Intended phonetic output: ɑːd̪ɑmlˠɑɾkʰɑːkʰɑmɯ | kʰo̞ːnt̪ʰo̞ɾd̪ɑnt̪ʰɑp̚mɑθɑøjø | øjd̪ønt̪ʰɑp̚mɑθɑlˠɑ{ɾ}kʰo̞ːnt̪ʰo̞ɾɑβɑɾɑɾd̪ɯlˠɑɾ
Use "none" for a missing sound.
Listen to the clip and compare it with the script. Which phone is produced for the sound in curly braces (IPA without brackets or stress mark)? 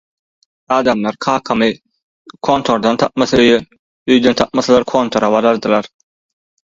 ɾ